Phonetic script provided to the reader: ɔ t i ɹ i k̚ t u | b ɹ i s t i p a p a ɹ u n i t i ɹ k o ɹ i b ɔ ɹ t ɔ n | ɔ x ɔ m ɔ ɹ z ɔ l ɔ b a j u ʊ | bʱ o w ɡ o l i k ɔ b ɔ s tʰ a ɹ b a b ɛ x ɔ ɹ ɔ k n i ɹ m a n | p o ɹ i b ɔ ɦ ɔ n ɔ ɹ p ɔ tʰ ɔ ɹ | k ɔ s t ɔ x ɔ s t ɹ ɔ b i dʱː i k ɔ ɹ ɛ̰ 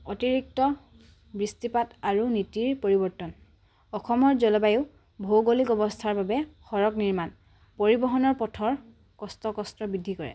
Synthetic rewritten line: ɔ t i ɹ i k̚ t ɔ | b ɹ i s t i p a t a ɹ u n i t i ɹ p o ɹ i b ɔ ɹ t ɔ n | ɔ x ɔ m ɔ ɹ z ɔ l ɔ b a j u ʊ | bʱ o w ɡ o l i k ɔ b ɔ s tʰ a ɹ b a b ɛ x ɔ ɹ ɔ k n i ɹ m a n | p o ɹ i b ɔ ɦ ɔ n ɔ ɹ p ɔ tʰ ɔ ɹ | k ɔ s t ɔ k ɔ s t ɹ ɔ b i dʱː i k ɔ ɹ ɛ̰